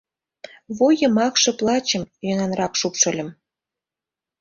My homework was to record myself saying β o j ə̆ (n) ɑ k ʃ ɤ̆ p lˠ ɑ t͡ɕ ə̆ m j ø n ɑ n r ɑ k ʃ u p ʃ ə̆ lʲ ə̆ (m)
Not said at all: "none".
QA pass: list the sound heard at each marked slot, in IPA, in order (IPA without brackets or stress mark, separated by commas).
m, m